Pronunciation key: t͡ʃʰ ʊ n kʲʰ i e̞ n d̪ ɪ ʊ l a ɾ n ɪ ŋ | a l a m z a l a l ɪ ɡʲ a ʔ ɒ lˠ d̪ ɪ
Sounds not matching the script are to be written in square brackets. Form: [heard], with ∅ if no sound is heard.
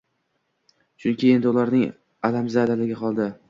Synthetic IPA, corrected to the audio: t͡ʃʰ ʊ n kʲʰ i e̞ n d̪ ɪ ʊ l a ɾ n ɪ ŋ | a l a m z a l a l ɪ ɡʲ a [q] ɒ lˠ d̪ ɪ